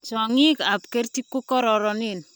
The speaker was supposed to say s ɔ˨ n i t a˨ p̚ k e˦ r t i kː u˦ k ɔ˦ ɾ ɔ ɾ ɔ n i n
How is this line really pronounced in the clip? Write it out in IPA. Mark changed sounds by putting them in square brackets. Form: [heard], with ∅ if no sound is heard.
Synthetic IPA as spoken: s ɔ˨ [ŋ] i [k] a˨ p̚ k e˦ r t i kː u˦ k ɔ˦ ɾ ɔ ɾ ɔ n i n